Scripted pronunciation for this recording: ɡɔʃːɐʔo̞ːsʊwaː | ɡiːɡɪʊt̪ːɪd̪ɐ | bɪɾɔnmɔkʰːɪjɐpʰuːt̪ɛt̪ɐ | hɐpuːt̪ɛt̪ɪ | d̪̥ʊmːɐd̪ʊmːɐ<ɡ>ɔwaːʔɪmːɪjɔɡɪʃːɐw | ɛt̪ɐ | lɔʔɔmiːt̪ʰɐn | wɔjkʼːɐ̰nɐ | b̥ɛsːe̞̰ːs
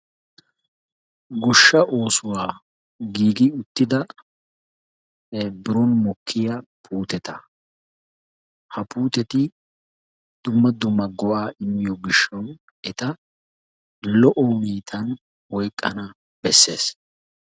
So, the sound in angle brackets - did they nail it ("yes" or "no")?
yes